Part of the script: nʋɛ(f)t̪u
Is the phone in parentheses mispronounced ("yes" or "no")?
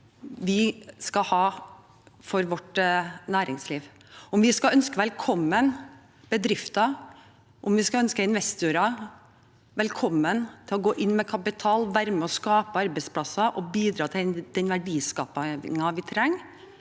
yes